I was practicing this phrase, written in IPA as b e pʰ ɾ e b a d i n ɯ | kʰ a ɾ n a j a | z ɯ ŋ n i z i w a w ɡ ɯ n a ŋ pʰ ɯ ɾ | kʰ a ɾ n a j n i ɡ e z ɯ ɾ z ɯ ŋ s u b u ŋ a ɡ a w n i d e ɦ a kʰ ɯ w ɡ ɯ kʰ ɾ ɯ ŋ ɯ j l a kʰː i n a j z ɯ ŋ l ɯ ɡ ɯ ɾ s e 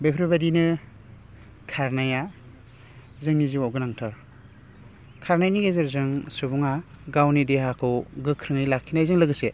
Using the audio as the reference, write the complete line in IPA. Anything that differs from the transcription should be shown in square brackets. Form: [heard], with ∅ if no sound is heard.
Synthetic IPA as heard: b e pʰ ɾ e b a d i n ɯ | kʰ a ɾ n a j a | z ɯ ŋ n i z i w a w ɡ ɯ n a ŋ [tʰ] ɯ ɾ | kʰ a ɾ n a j n i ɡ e z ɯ ɾ z ɯ ŋ s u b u ŋ a ɡ a w n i d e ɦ a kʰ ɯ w ɡ ɯ kʰ ɾ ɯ ŋ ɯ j l a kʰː i n a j z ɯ ŋ l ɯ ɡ ɯ [∅] s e

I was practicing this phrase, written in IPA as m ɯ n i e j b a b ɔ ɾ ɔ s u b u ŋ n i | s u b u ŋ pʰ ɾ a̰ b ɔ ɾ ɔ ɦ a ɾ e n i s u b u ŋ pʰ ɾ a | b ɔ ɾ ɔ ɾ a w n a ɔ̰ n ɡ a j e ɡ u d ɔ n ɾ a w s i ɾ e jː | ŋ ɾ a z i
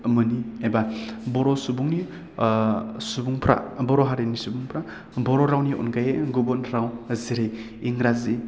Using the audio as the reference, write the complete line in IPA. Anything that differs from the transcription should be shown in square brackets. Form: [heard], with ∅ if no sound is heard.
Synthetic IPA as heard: m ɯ n i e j b a b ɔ ɾ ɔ s u b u ŋ n i | s u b u ŋ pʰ ɾ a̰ b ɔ ɾ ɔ ɦ a ɾ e n i s u b u ŋ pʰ ɾ a | b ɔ ɾ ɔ ɾ a w n [i] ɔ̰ n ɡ a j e ɡ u [b] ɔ n ɾ a w [z] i ɾ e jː | ŋ ɾ a z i

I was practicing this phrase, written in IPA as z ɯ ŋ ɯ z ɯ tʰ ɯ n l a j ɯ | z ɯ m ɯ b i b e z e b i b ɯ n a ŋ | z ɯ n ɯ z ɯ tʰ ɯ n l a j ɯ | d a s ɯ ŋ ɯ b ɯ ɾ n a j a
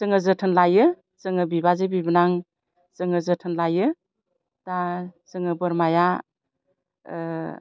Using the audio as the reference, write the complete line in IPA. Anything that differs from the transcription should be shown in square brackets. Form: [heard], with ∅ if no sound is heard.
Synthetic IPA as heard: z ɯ ŋ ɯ z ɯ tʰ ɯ n l a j ɯ | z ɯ [ŋ] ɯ b i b [a] z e b i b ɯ n a ŋ | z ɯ [ŋ] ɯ z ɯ tʰ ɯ n l a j ɯ | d a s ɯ ŋ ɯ b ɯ ɾ [m] a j a

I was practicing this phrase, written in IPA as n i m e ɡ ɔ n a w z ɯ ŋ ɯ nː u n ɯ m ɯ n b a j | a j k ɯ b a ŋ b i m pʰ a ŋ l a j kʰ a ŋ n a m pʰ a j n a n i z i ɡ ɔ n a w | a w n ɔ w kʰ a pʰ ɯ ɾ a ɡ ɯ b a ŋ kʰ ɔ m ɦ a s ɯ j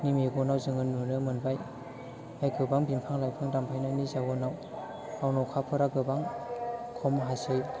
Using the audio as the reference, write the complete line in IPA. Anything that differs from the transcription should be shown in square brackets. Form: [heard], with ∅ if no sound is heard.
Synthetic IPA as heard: n i m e ɡ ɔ n a w z ɯ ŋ ɯ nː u n ɯ m ɯ n b a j | a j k ɯ b a ŋ b i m pʰ a ŋ l a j [pʰ] a ŋ [d] a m pʰ a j n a n i z [a] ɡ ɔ n a w | a w n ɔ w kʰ a pʰ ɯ ɾ a ɡ ɯ b a ŋ kʰ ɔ m ɦ a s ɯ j

